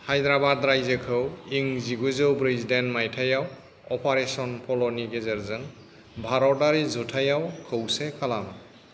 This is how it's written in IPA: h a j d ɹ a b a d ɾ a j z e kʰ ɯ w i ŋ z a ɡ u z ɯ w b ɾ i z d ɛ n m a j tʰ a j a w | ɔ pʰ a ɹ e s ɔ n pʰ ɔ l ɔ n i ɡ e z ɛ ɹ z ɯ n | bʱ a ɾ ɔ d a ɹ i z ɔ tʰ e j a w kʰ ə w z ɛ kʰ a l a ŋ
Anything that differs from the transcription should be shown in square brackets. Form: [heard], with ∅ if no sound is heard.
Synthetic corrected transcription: h a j d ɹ a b a d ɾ a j z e kʰ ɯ w i ŋ z [i] ɡ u z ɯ w b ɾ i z d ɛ n m a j tʰ a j a w | ɔ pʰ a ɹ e s ɔ n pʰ ɔ l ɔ n i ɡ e z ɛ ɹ z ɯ n | bʱ a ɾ ɔ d a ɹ i z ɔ tʰ [a] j a w kʰ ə w [s] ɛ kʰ a l a [m]